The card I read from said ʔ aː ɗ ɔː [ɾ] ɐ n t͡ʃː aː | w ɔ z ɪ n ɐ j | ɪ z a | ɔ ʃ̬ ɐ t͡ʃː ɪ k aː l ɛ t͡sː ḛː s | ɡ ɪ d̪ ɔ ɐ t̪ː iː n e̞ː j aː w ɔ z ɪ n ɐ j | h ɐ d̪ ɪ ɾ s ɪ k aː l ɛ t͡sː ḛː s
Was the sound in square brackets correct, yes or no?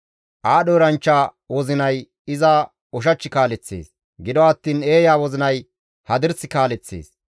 yes